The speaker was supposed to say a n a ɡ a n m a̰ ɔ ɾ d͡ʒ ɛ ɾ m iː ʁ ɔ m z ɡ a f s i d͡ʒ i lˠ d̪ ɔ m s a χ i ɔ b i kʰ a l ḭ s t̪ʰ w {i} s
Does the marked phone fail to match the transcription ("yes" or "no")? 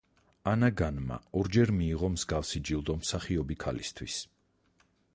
no